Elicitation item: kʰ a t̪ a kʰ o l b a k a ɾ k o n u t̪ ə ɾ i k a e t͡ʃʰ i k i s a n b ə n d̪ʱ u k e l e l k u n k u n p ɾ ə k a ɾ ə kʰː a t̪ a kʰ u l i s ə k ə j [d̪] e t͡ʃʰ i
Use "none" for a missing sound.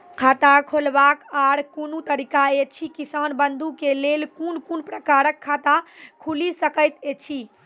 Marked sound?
t̪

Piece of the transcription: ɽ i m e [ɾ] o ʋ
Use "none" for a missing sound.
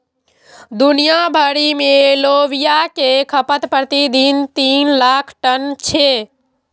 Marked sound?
l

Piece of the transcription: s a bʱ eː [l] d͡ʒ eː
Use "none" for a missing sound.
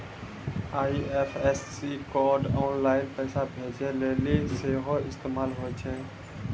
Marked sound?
none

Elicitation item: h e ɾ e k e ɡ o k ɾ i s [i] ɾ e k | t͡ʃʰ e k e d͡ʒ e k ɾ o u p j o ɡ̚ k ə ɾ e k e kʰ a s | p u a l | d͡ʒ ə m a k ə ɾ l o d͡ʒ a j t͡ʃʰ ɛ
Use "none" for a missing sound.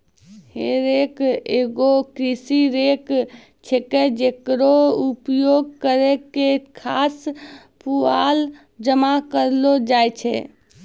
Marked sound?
i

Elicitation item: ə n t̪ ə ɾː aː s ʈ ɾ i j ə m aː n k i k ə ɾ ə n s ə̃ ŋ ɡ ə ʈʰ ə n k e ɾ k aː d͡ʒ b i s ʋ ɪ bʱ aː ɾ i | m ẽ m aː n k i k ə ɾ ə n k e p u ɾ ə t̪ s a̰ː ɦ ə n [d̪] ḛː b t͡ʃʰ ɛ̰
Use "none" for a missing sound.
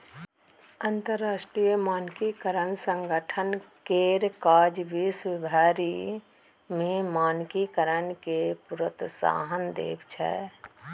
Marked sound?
d̪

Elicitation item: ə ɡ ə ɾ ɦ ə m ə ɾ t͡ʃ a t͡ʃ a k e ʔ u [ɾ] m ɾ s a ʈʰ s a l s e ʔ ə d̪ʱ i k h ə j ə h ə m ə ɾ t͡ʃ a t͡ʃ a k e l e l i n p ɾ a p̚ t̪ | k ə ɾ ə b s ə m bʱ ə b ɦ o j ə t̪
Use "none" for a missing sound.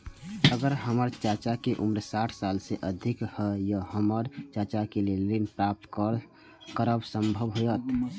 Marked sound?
none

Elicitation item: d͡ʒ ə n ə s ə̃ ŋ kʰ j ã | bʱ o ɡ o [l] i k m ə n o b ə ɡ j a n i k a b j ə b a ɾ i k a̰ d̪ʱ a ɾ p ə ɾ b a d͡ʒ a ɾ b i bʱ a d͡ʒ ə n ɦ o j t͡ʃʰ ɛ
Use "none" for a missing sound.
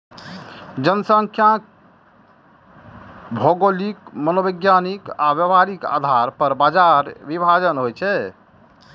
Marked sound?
l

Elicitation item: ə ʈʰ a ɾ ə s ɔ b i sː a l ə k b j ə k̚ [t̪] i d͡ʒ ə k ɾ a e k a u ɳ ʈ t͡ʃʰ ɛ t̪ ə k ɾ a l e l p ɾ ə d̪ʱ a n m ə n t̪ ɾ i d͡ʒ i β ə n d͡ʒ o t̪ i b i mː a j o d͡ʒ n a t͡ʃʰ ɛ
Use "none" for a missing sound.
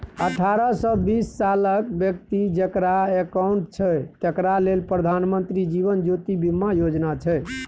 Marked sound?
t̪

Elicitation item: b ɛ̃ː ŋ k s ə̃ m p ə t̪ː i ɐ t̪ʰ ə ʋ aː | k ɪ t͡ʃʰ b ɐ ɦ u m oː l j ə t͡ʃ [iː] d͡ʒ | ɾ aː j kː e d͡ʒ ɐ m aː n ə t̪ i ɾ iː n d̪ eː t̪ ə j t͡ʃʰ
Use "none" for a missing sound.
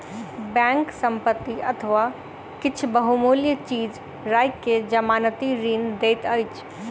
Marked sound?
iː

